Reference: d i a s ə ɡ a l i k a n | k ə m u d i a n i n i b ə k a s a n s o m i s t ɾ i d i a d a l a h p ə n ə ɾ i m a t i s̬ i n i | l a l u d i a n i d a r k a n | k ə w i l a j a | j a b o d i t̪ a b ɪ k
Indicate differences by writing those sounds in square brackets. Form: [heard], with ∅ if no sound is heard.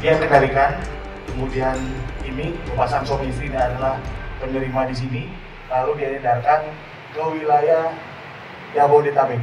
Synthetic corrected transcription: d i a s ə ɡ a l i k a n | k ə m u d i a n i n i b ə [p] a s a n s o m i s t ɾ i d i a d a l a h p ə n ə ɾ i m a [d] i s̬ i n i | l a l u d i a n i d a r k a n | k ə w i l a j a | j a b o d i t̪ a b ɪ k